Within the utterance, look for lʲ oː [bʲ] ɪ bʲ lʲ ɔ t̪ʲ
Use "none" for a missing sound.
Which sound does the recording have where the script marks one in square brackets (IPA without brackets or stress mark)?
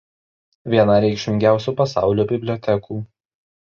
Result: bʲ